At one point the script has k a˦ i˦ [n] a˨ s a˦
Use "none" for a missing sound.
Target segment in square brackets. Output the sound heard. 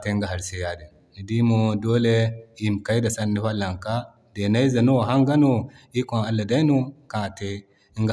d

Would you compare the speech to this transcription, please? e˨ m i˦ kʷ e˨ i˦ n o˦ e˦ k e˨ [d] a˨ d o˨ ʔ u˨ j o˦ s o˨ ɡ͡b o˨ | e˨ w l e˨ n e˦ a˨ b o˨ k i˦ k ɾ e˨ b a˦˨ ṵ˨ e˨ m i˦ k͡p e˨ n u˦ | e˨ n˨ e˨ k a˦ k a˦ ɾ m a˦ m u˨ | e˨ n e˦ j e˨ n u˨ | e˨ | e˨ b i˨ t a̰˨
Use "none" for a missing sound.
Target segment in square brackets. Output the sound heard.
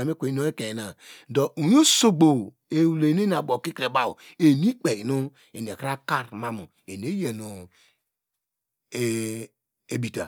n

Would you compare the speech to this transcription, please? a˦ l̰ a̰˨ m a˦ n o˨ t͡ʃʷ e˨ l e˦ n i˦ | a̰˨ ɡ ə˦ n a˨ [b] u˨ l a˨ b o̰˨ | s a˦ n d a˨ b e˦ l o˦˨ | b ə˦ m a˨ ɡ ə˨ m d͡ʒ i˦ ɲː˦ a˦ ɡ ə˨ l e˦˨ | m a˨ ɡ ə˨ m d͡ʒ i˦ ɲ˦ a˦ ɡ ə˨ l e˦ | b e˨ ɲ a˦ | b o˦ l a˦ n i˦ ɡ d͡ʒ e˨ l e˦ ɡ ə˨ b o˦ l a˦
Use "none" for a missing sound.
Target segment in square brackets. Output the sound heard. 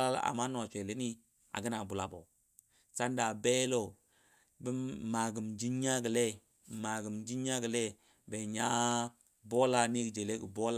b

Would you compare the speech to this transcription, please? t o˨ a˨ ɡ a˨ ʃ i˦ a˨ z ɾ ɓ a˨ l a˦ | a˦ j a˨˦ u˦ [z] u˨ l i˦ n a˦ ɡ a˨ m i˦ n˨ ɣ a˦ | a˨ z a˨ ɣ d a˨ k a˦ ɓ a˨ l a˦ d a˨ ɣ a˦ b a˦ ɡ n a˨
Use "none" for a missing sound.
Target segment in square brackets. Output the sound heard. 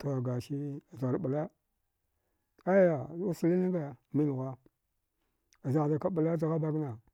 s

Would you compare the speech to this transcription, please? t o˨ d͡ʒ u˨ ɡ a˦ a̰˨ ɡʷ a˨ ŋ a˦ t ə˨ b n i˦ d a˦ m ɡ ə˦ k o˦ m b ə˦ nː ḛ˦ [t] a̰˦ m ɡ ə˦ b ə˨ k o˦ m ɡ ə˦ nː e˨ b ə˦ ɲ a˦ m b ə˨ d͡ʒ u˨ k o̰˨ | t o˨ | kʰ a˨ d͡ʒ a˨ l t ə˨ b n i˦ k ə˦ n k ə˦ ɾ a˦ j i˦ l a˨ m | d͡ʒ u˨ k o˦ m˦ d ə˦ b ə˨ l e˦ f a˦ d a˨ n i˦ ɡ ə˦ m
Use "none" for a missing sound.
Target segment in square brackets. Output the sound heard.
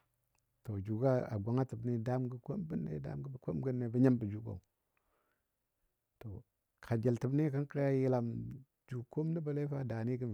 d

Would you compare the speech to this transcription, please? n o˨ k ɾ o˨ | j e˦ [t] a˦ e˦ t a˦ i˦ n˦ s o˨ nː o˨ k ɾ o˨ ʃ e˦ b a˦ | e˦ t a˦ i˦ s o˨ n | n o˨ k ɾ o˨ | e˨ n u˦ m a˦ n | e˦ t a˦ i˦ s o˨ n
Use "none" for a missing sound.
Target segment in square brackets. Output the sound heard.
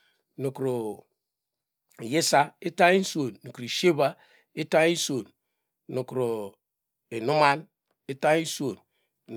s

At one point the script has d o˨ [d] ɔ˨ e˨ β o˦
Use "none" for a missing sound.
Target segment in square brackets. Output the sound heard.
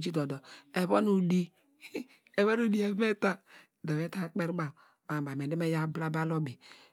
d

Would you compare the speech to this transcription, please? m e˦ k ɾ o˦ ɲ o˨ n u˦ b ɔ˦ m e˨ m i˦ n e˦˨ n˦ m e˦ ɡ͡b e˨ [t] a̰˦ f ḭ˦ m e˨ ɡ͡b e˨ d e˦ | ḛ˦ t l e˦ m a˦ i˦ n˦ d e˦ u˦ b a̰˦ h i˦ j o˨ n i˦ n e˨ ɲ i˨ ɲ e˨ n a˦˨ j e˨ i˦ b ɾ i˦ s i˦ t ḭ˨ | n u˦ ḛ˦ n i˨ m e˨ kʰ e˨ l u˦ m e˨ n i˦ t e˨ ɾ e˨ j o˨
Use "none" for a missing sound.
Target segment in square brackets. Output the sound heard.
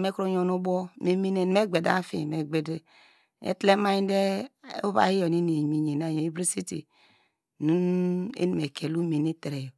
d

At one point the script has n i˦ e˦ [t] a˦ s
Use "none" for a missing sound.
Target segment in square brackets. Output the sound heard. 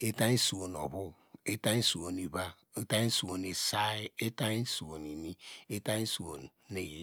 t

